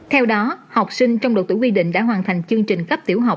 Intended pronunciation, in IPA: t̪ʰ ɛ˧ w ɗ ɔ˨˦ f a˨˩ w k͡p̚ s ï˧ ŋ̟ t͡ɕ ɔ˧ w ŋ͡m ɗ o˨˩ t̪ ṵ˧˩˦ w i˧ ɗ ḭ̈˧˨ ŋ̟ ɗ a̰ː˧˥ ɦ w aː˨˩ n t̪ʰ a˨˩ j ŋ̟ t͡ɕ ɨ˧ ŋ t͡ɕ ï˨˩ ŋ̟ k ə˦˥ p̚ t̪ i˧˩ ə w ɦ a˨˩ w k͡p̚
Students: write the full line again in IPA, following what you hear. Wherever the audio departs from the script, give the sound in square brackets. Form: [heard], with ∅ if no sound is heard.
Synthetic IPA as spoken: t̪ʰ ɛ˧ w ɗ ɔ˨˦ [h] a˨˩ w k͡p̚ s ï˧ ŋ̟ t͡ɕ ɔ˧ w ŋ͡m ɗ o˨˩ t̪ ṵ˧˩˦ w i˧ ɗ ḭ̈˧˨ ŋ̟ ɗ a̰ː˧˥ ɦ w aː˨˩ n t̪ʰ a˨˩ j ŋ̟ t͡ɕ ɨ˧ ŋ t͡ɕ ï˨˩ ŋ̟ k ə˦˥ p̚ t̪ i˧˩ ə w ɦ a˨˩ w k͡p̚